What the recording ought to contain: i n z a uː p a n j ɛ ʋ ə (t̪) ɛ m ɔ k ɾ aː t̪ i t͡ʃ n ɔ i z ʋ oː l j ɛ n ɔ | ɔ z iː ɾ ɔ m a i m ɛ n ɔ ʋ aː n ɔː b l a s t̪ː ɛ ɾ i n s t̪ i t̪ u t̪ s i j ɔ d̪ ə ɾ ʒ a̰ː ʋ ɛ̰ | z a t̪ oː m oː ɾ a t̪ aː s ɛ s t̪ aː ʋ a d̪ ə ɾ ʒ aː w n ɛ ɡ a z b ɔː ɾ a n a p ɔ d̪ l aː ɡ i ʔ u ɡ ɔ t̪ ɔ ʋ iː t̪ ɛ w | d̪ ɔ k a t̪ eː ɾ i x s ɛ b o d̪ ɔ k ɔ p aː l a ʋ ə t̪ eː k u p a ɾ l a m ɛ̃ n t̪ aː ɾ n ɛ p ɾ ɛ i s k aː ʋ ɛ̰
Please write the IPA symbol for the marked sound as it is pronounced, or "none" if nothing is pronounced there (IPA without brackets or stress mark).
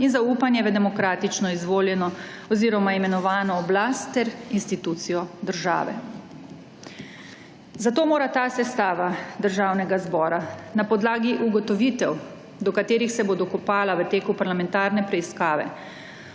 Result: d̪